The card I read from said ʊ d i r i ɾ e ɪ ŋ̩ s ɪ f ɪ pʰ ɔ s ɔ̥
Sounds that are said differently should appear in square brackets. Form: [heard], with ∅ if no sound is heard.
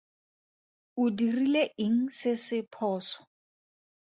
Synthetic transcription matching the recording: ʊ d i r i [l] e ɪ ŋ̩ s ɪ [s] ɪ pʰ [ɔː] s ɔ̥

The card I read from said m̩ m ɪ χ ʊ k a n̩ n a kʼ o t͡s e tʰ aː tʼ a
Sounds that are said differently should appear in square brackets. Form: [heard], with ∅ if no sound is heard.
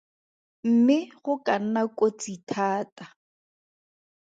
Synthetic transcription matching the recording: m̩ m ɪ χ ʊ k a n̩ n a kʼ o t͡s [i] tʰ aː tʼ a

